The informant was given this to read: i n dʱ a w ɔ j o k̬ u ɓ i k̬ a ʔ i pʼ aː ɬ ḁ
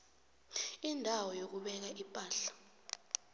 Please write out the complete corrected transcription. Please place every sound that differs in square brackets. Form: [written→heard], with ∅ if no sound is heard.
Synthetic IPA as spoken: i n dʱ a w ɔ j o k̬ u ɓ [i→ɛ] k̬ a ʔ i pʼ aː ɬ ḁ